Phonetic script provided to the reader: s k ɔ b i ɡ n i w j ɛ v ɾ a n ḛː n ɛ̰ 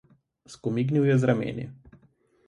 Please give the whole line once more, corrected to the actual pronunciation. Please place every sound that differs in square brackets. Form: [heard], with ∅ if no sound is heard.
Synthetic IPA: s k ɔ [m] i ɡ n i w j ɛ [z] ɾ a [m] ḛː n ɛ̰